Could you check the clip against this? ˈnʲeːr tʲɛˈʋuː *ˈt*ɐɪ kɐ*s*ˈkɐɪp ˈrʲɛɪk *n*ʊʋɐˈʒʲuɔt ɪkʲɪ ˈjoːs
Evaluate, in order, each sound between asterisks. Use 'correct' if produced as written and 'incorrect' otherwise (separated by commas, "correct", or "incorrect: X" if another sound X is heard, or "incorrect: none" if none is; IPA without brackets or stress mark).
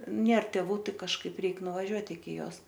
correct, incorrect: ʃ, correct